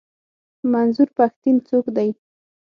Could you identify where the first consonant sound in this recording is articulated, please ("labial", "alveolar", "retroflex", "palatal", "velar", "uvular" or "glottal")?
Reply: labial